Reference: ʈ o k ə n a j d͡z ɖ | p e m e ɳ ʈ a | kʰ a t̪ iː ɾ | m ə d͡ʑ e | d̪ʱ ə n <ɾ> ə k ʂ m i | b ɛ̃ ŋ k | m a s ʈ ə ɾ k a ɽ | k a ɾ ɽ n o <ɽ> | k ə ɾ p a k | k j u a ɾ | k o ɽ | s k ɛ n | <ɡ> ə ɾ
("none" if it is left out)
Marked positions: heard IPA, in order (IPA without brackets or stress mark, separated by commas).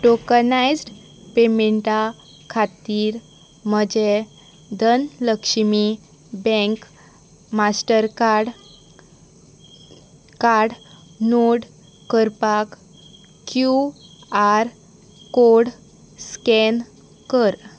l, ɽ, k